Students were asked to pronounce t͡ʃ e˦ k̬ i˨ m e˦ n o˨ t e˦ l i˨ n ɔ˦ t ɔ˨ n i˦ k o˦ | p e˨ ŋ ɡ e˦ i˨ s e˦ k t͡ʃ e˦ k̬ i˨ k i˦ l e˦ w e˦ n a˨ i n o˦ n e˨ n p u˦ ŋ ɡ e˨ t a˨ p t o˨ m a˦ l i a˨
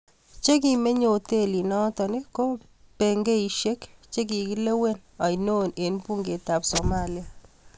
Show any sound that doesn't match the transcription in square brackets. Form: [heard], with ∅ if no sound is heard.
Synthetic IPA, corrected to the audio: t͡ʃ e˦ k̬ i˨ m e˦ [ɲ] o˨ t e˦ l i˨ n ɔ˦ t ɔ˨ n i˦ k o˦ | p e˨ ŋ ɡ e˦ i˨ [ʃ] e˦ k t͡ʃ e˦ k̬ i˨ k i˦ l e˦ w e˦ n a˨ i n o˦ n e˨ n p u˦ ŋ ɡ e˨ t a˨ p [s] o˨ m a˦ l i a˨